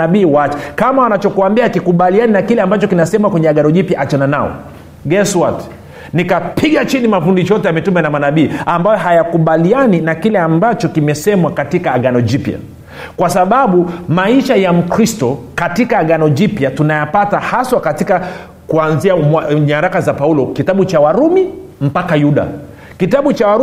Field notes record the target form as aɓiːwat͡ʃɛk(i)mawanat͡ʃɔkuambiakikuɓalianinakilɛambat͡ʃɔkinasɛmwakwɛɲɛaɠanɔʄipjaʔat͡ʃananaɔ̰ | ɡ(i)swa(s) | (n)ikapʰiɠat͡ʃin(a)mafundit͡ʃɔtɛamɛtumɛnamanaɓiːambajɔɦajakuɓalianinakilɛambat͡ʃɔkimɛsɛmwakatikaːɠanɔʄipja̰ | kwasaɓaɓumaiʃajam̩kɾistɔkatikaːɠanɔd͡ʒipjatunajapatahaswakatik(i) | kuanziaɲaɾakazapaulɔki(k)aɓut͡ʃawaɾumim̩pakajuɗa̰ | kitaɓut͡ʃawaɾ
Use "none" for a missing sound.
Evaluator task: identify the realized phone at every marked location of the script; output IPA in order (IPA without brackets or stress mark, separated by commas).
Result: a, ɛ, t, n, i, a, t